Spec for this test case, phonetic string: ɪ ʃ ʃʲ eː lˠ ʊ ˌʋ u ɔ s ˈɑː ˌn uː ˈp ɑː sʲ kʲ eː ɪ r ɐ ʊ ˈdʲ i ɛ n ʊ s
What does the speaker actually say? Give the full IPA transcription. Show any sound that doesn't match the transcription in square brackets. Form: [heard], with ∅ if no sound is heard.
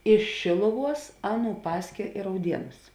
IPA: ɪ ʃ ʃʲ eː lˠ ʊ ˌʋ u ɔ s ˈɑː ˌn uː ˈp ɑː sʲ kʲ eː ɪ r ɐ ʊ ˈdʲ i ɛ n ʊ s